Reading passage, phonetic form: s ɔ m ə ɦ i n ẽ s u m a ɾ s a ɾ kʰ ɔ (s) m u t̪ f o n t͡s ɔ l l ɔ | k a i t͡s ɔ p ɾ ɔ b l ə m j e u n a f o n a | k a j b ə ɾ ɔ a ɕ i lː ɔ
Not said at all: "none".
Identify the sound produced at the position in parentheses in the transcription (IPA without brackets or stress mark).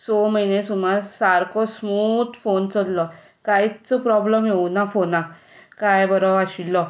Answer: s